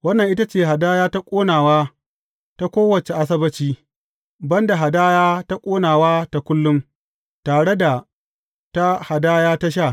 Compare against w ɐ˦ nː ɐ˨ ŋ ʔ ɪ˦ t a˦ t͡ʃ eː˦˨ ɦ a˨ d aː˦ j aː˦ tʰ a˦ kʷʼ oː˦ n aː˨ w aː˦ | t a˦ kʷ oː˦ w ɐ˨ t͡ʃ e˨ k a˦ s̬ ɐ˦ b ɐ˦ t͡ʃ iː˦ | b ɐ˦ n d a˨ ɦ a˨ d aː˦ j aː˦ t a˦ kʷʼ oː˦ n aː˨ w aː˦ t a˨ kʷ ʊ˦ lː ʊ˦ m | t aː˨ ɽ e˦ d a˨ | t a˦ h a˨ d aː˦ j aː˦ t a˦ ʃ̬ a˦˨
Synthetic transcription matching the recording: w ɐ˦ nː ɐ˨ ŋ ʔ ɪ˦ t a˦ t͡ʃ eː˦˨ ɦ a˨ d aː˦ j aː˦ t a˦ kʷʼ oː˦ n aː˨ w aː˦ | t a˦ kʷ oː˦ w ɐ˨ t͡ʃ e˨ ʔ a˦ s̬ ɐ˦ b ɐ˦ t͡ʃ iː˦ | b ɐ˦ n d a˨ ɦ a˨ d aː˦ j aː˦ t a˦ kʷʼ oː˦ n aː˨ w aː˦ t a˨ kʷ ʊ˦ lː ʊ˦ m | t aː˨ ɽ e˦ d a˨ | t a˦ h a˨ d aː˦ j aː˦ t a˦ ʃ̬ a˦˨